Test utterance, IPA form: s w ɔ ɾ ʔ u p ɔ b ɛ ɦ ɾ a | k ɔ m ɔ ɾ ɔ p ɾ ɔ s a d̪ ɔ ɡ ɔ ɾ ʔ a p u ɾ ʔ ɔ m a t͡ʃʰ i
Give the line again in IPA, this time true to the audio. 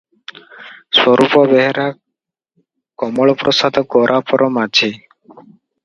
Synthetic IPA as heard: s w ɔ ɾ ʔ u p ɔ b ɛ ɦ ɾ a | k ɔ m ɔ ɭ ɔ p ɾ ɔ s a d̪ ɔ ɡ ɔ ɾ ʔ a p ɔ ɾ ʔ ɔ m a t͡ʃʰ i

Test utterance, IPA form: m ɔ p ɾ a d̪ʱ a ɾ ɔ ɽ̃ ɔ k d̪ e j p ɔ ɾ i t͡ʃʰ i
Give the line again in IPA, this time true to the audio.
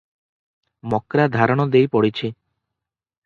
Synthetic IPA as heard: m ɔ k ɾ a d̪ʱ a ɾ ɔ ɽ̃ ɔ d̪ e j p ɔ ɽ i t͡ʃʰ i

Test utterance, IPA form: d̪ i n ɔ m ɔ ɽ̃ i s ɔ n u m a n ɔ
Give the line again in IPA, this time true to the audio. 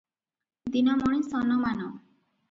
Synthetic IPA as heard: d̪ i n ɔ m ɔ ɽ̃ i s ɔ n ɔ m a n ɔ

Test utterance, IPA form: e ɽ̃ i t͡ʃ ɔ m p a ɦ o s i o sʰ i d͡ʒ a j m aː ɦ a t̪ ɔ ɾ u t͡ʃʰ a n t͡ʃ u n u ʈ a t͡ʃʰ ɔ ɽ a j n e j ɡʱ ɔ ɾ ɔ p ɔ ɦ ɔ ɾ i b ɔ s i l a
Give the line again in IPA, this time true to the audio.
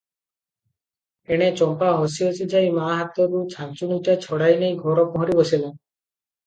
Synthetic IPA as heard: e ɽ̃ e t͡ʃ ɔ m p a ɦ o s i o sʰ i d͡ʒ a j m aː ɦ a t̪ ɔ ɾ u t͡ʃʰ a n t͡ʃ u n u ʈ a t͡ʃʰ ɔ ɽ a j n e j ɡʱ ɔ ɾ ɔ p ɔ ɦ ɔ ɾ i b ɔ s i l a

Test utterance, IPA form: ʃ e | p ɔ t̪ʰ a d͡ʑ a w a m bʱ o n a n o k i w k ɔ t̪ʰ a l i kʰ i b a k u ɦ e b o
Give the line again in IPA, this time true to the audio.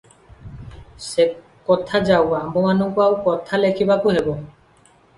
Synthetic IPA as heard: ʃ e | k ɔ t̪ʰ a d͡ʑ a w a m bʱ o m a n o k a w k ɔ t̪ʰ a l e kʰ i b a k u ɦ e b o

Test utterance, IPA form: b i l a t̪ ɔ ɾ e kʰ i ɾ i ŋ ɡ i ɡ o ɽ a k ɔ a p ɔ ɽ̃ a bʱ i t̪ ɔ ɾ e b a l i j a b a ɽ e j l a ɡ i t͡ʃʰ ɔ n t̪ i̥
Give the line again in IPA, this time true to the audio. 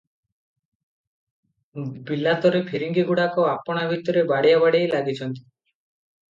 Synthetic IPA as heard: b i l a t̪ ɔ ɾ e pʰ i ɾ i ŋ ɡ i ɡ u ɽ a k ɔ a p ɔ ɽ̃ a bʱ i t̪ ɔ ɾ e b a ɽ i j a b a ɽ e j l a ɡ i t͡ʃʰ ɔ n t̪ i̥

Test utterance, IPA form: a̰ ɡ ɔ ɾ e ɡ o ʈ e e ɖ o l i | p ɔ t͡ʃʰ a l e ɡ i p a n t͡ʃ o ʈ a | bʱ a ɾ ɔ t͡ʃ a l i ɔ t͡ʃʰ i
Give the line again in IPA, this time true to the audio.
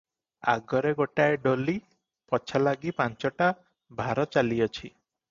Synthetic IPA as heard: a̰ ɡ ɔ ɾ e ɡ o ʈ a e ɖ o l i | p ɔ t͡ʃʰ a l a ɡ i p a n t͡ʃ ɔ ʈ a | bʱ a ɾ ɔ t͡ʃ a l i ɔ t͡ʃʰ i

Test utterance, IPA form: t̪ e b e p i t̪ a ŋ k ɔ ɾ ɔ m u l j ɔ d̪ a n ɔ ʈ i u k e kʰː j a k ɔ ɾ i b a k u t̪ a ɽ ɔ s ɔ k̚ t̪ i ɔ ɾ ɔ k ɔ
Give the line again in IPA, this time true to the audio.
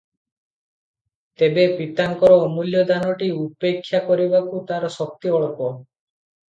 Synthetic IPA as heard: t̪ e b e p i t̪ a ŋ k ɔ ɾ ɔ m u l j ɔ d̪ a n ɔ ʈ i u p e kʰː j a k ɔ ɾ i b a k u t̪ a ɾ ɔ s ɔ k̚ t̪ i ɔ ɭ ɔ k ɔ

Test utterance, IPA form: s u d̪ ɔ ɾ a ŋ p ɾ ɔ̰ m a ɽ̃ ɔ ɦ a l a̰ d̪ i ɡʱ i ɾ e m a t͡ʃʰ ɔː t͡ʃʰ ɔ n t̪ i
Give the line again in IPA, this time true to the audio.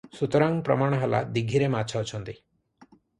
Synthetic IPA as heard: s u t̪ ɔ ɾ a ŋ p ɾ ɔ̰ m a ɽ̃ ɔ ɦ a l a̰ d̪ i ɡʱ i ɾ e m a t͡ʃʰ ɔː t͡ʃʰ ɔ n t̪ i

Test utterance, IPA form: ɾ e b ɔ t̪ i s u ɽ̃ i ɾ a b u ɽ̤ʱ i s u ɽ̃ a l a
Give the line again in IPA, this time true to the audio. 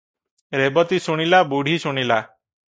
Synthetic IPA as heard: ɾ e b ɔ t̪ i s u ɽ̃ i l a b u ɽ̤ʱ i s u ɽ̃ i l a

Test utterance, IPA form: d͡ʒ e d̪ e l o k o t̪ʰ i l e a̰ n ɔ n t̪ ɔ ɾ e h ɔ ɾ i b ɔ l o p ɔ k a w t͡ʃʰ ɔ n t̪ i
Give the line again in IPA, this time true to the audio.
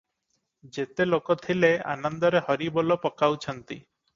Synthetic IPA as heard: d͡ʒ e t̪ e l o k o t̪ʰ i l e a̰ n ɔ n d̪ ɔ ɾ e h ɔ ɾ i b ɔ l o p ɔ k a w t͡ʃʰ ɔ n t̪ i

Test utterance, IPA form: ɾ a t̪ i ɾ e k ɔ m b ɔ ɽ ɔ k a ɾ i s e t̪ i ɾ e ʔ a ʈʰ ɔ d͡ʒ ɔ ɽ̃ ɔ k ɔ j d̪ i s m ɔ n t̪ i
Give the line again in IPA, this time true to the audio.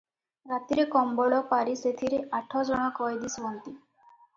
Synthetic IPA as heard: ɾ a t̪ i ɾ e k ɔ m b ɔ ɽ ɔ p a ɾ i s e t̪ʰ i ɾ e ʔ a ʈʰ ɔ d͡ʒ ɔ ɽ̃ ɔ k ɔ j d̪ i s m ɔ n t̪ i

